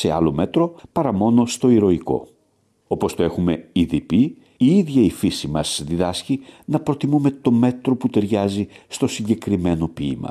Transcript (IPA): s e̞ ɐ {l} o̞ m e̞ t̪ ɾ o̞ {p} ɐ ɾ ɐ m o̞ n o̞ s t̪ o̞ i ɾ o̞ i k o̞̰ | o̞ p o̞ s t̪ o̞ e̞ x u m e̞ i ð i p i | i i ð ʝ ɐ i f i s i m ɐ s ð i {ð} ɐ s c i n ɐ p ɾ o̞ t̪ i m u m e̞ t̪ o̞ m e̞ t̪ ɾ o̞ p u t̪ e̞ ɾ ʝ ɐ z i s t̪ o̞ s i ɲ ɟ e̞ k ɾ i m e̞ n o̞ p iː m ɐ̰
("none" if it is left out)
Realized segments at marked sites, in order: l, p, ð

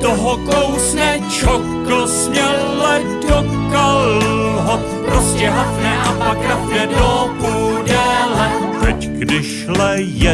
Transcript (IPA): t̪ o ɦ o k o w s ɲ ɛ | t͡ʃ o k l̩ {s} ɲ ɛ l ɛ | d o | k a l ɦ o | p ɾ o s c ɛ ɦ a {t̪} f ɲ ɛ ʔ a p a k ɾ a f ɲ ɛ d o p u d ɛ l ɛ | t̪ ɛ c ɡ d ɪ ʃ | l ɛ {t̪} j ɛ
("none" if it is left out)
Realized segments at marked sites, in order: s, none, none

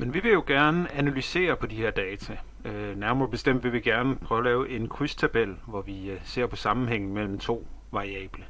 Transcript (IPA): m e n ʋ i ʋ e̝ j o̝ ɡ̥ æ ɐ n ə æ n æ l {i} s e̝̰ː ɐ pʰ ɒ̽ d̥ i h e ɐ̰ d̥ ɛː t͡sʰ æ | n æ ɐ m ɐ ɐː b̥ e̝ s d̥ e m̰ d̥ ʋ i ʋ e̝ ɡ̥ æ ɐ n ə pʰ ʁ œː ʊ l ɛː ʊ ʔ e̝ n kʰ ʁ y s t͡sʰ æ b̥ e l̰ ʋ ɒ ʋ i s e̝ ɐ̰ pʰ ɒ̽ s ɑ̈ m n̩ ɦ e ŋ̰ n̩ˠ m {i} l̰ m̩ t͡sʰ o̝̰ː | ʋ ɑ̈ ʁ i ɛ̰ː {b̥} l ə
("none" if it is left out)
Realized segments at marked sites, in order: y, e, b̥

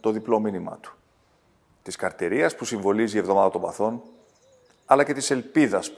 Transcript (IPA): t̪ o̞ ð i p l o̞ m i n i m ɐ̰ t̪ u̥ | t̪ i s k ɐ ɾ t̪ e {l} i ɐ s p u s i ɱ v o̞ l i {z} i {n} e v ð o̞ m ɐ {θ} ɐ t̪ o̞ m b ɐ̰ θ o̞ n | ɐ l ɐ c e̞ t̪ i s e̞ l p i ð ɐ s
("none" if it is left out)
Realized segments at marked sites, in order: ɾ, z, none, ð

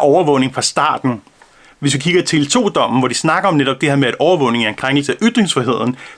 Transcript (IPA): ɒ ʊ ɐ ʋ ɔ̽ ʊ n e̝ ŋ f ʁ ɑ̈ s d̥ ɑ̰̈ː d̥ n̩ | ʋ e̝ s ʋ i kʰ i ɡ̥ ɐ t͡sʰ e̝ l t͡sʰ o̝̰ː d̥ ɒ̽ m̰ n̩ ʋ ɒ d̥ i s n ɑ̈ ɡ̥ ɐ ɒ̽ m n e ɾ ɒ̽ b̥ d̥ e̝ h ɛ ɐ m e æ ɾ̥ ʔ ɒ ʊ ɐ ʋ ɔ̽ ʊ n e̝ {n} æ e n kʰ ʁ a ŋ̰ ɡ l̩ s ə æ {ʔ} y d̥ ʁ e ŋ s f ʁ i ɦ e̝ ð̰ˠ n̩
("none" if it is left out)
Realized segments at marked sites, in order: ŋ, ʔ

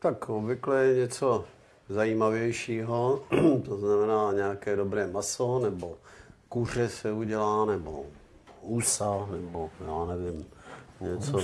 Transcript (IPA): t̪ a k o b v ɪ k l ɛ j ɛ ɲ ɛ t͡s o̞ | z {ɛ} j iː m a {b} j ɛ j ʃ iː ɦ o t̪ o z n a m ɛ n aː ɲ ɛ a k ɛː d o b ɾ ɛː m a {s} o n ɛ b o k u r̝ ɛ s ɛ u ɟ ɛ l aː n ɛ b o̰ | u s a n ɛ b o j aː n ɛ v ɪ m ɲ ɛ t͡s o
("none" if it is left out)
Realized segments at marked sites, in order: a, v, s

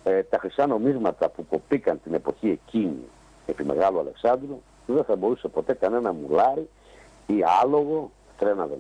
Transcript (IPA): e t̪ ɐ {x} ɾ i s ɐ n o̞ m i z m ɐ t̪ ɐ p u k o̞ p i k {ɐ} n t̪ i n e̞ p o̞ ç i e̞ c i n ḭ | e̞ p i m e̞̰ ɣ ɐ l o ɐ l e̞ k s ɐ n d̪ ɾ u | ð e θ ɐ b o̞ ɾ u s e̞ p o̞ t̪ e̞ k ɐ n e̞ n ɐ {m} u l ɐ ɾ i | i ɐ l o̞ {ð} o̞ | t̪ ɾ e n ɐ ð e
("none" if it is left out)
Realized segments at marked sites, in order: x, ɐ, m, ɣ

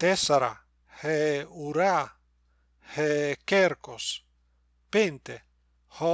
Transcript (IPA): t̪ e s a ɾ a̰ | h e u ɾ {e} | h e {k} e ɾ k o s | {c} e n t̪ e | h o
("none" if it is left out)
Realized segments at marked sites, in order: a, k, p

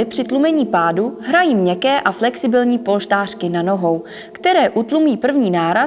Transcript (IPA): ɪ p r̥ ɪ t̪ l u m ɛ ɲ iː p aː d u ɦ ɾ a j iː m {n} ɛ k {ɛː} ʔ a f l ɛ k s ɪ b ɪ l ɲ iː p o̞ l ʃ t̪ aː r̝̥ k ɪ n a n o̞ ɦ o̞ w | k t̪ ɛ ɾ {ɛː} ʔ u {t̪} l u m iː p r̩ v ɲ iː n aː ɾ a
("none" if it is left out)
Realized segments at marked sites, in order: ɲ, ɛː, ɛː, t̪

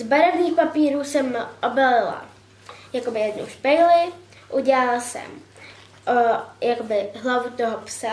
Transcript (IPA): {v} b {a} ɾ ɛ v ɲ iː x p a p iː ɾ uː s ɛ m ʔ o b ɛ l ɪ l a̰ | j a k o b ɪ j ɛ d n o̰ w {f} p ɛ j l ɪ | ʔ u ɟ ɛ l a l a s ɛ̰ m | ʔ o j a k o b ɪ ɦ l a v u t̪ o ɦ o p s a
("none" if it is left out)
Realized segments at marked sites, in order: z, a, ʃ

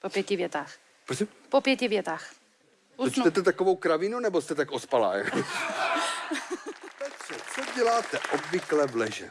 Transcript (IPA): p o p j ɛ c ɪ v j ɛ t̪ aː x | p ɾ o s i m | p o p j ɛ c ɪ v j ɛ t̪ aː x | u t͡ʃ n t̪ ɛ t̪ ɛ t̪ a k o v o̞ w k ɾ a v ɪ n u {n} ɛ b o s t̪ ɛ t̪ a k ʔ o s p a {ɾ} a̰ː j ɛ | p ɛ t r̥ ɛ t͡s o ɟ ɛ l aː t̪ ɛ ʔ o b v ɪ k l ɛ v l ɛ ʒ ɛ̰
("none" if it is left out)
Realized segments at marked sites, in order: n, l

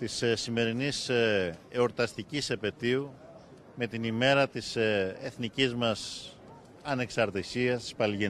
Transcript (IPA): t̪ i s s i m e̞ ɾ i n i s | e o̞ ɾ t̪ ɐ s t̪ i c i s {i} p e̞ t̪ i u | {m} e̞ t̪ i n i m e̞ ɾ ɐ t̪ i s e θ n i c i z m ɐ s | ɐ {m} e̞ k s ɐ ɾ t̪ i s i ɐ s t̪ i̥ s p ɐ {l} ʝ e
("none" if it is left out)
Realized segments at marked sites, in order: e, m, n, l

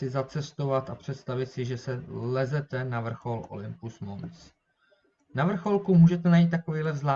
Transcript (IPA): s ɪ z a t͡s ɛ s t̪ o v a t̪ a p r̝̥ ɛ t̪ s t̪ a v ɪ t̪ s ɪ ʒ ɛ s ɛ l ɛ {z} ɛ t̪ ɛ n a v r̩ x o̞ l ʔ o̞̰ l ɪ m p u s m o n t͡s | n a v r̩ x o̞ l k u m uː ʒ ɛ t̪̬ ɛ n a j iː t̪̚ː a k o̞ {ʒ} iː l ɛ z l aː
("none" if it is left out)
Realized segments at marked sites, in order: z, v

